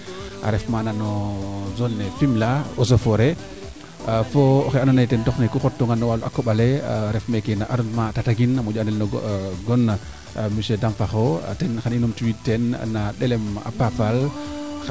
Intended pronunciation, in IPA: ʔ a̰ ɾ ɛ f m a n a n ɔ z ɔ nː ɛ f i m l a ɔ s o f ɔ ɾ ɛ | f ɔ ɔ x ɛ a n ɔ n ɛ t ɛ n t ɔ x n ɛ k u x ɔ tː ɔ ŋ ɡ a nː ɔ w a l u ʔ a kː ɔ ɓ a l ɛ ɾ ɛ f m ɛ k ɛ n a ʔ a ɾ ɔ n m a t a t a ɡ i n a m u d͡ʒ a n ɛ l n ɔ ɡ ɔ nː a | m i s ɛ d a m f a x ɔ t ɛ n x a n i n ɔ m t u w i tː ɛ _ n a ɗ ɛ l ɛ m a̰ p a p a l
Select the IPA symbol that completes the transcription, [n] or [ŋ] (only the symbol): n